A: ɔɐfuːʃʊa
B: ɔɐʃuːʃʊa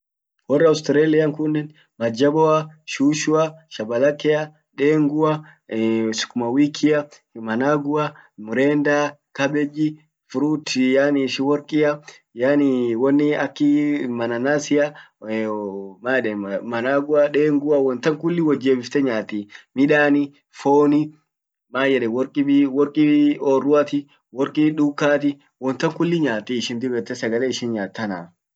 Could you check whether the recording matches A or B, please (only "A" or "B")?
B